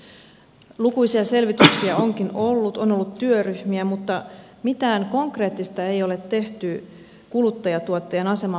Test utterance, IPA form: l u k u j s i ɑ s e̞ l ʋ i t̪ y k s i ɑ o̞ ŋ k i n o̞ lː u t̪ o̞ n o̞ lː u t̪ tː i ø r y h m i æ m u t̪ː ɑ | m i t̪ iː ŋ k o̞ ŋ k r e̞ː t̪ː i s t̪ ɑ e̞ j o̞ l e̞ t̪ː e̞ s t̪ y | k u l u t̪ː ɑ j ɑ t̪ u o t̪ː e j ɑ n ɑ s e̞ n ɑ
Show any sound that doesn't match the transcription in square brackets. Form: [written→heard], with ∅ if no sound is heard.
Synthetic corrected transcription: l u k u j s i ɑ s e̞ l ʋ i t̪ y k s i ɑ o̞ ŋ k i n o̞ lː u t̪ o̞ n o̞ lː u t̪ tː [i→y] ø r y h m i æ m u t̪ː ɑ | m i t̪ [iː→æː] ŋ k o̞ ŋ k r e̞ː t̪ː i s t̪ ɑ e̞ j o̞ l e̞ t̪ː e̞ [s→h] t̪ y | k u l u t̪ː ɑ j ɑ t̪ u o t̪ː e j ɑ n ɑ s e̞ [n→m] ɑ